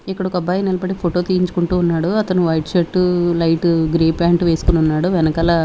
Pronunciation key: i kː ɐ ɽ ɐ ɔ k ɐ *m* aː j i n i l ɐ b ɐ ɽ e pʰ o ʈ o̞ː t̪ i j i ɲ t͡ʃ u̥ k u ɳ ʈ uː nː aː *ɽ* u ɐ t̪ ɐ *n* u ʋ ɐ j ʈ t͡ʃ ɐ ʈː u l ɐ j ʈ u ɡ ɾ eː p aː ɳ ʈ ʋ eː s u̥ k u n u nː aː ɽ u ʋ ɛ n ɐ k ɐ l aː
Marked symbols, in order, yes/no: no, yes, yes

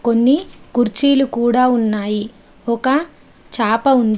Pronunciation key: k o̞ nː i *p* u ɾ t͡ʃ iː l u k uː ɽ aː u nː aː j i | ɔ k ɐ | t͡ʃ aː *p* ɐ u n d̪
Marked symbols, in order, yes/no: no, yes

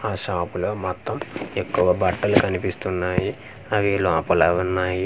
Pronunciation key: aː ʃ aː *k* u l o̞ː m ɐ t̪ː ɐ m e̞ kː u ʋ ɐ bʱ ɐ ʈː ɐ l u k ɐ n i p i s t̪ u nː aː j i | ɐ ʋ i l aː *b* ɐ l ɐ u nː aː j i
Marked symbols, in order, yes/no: no, no

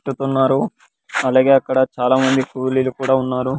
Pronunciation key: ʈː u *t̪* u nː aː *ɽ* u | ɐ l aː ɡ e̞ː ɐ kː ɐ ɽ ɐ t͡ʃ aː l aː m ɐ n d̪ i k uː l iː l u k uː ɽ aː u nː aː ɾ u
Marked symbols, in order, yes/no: yes, no

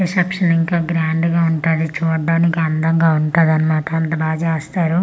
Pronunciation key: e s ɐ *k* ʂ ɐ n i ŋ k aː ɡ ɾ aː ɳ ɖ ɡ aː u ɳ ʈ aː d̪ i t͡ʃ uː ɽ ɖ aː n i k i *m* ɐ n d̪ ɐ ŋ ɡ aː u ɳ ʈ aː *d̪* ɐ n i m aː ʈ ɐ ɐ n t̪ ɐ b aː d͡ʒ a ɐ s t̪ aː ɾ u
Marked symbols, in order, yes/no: no, no, yes

